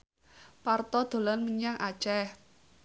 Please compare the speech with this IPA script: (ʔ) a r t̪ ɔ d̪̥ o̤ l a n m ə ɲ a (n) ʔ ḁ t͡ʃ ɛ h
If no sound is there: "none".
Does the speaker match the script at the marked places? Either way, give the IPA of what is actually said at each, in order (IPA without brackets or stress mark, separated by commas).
p, ŋ